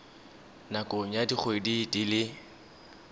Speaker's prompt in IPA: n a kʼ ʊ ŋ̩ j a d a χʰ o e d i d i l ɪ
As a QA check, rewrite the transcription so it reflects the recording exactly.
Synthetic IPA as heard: n a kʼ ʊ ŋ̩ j a d i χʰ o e d i d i l ɪ